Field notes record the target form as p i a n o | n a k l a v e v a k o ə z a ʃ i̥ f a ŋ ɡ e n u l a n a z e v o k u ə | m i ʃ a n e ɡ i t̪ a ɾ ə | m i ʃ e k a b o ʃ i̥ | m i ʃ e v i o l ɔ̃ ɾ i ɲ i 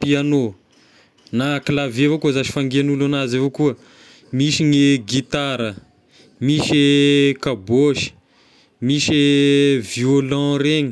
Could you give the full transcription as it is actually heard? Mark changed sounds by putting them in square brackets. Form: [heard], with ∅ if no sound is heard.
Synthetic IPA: p i a n o | n a k l a v e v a k [u] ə z a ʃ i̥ f a ŋ ɡ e n u l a n a z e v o k u ə | m i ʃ [i] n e ɡ i t̪ a ɾ ə | m i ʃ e k a b o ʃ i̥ | m i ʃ e v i o l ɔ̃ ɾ [e] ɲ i